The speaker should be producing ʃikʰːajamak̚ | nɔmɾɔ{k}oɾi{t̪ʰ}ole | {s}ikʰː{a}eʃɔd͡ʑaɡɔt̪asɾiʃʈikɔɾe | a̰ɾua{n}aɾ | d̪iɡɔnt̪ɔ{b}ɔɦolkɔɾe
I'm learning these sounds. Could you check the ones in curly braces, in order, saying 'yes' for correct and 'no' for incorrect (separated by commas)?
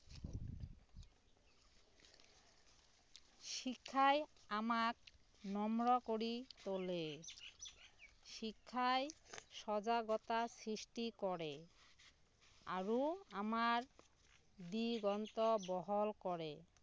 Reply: yes, no, no, yes, no, yes